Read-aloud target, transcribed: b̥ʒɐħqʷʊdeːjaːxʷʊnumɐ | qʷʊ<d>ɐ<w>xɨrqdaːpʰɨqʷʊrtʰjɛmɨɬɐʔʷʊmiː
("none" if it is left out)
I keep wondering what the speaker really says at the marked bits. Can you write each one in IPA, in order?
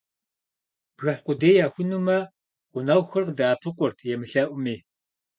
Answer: n, w

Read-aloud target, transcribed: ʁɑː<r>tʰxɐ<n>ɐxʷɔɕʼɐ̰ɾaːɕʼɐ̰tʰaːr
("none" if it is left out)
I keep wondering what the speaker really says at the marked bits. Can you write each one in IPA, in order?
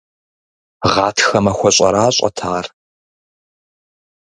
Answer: none, m

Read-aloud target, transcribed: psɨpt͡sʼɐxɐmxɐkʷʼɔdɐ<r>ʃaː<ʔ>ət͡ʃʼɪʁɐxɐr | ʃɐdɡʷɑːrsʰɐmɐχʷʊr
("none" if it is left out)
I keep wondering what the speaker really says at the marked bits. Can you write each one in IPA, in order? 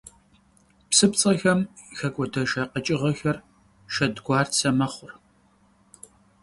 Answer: none, q

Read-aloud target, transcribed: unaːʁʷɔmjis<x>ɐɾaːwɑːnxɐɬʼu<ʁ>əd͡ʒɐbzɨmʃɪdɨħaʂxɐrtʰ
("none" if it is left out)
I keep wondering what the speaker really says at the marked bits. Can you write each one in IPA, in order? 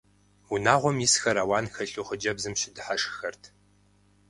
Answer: x, χ

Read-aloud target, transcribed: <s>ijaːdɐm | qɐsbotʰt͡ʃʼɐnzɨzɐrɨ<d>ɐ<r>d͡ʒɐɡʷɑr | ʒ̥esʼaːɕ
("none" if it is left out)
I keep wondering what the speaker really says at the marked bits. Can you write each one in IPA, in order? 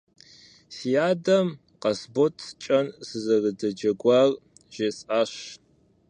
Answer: s, d, none

